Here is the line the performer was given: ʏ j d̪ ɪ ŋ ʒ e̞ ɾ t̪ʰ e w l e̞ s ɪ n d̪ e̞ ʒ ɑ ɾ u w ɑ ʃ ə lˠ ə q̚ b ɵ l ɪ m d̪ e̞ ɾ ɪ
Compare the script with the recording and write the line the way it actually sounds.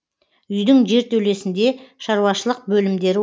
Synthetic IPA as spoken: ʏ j d̪ ɪ ŋ ʒ e̞ ɾ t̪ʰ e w l e̞ s ɪ n d̪ e̞ ʃ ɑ ɾ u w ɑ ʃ ə lˠ ə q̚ b ɵ l ɪ m d̪ e̞ ɾ ɪ